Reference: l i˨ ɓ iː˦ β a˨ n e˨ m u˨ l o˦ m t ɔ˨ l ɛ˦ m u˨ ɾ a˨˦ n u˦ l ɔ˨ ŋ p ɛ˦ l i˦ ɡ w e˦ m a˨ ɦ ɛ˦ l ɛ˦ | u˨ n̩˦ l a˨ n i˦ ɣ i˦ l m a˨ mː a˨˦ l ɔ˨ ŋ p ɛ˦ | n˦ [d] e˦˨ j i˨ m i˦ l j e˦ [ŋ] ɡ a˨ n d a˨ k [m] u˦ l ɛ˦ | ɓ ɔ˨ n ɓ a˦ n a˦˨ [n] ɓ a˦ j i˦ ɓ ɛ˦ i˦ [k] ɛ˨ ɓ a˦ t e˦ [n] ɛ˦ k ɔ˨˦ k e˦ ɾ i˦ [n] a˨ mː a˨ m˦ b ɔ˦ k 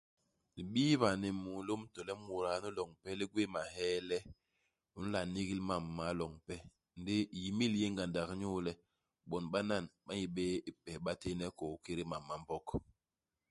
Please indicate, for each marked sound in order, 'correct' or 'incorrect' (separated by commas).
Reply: correct, correct, incorrect, correct, incorrect, correct, incorrect